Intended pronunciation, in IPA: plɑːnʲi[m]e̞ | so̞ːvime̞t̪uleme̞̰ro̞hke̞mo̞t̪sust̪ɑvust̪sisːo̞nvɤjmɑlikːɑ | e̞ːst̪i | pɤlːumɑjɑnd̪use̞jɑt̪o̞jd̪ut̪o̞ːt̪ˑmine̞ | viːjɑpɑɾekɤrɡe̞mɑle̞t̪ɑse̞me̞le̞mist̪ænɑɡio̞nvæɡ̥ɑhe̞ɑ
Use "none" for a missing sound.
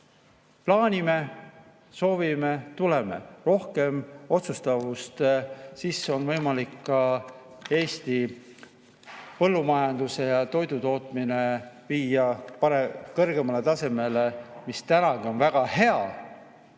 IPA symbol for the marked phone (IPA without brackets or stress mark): m